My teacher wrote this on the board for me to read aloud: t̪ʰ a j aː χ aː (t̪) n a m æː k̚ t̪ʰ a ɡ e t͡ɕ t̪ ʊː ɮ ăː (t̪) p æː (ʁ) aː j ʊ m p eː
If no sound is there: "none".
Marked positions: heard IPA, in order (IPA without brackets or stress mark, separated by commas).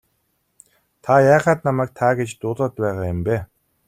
t̪, t̪, ʁ